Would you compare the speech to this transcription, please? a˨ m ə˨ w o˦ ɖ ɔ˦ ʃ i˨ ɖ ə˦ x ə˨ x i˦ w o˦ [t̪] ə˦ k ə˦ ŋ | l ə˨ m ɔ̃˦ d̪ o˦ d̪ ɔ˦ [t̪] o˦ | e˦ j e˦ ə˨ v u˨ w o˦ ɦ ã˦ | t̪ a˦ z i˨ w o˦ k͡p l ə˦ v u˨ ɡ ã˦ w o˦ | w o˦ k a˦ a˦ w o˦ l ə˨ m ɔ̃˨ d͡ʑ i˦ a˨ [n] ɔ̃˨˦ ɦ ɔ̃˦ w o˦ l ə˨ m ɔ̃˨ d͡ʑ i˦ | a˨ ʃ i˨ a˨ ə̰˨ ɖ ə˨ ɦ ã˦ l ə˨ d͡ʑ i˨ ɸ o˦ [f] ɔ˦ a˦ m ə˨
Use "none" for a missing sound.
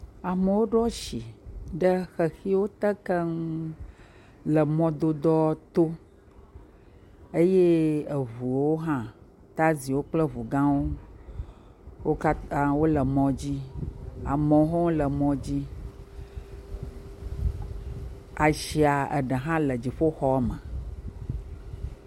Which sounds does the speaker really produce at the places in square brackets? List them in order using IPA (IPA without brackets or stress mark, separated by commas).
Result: t̪, t̪, m, x